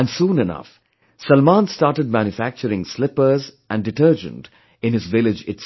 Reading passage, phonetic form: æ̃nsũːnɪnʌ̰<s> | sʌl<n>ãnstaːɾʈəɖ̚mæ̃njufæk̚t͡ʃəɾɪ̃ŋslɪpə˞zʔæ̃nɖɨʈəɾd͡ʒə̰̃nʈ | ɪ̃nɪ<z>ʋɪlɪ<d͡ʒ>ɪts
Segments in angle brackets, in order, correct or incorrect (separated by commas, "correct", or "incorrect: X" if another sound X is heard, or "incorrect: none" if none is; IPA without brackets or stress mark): incorrect: f, incorrect: m, correct, correct